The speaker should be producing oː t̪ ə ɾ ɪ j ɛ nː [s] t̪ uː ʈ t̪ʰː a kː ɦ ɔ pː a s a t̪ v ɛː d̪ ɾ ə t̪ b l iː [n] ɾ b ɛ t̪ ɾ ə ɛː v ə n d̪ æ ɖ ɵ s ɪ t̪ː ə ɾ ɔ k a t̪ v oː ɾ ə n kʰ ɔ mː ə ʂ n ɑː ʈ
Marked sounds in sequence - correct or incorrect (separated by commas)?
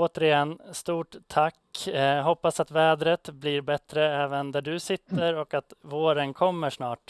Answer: correct, incorrect